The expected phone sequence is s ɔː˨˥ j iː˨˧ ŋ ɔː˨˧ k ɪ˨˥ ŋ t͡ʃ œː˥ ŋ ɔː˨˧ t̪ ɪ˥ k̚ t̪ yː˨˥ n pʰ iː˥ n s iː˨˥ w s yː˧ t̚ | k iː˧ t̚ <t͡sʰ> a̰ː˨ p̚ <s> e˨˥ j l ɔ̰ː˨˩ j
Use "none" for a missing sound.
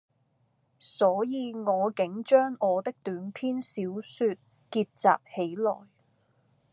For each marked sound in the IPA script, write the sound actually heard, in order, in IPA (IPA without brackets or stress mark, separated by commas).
t͡s, h